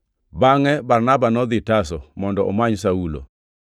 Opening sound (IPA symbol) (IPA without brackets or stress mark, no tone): b